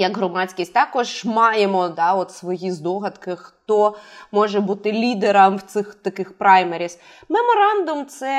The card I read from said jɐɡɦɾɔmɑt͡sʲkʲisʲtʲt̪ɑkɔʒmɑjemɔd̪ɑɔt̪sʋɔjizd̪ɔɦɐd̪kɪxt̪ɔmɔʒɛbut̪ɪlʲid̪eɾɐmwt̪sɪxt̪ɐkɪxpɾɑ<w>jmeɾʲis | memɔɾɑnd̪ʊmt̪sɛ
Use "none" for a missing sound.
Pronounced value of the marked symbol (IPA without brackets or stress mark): none